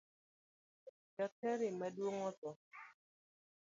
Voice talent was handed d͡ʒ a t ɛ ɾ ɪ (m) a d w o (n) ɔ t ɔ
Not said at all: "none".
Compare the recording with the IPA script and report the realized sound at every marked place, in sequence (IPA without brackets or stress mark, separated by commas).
m, ŋ